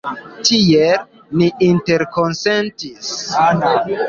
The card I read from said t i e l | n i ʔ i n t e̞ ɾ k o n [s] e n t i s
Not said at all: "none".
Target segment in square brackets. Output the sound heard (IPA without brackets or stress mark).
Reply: s